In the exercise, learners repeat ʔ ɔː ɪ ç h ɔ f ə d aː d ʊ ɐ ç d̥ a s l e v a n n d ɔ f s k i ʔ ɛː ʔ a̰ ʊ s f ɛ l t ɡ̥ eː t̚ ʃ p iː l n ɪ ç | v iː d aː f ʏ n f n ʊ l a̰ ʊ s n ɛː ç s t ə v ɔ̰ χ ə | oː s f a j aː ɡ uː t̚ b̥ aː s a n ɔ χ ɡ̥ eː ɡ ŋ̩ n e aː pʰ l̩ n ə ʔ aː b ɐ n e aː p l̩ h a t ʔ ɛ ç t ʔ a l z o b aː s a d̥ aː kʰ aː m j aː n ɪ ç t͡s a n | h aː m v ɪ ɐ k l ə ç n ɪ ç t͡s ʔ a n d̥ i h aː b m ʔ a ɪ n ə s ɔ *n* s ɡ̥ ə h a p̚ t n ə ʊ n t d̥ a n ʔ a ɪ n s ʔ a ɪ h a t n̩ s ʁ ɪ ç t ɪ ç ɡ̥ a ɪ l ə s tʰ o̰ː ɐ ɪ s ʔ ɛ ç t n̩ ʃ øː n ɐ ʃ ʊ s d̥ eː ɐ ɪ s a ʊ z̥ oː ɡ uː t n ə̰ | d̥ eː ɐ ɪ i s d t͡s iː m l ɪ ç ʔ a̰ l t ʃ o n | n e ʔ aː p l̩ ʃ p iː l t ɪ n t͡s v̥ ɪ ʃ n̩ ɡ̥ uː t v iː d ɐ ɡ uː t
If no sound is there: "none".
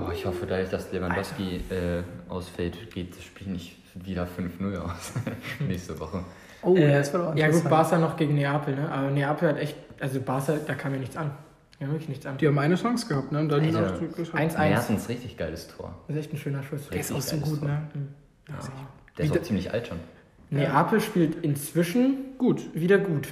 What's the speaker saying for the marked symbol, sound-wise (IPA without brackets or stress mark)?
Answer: ŋ